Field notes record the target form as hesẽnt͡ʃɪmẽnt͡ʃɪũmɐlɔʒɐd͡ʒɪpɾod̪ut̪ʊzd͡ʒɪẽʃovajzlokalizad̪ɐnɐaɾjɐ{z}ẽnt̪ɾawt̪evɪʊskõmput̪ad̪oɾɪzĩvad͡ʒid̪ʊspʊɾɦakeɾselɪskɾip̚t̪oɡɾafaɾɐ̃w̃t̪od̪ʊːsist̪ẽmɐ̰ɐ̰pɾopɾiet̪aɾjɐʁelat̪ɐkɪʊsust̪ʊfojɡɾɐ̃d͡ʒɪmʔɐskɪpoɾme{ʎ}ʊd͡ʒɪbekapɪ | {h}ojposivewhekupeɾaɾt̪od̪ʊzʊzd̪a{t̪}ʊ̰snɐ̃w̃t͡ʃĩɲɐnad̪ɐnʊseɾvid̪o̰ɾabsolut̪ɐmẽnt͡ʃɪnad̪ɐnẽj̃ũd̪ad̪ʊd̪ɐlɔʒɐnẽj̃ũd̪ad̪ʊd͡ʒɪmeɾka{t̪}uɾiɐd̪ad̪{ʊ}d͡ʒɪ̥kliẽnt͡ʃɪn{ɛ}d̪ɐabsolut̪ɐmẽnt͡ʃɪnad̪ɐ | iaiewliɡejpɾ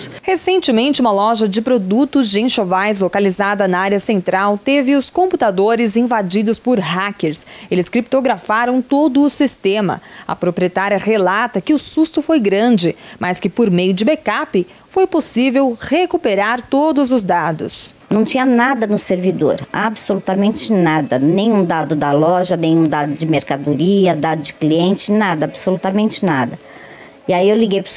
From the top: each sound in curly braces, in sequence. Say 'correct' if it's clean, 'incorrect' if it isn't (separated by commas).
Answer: incorrect, incorrect, incorrect, incorrect, incorrect, correct, incorrect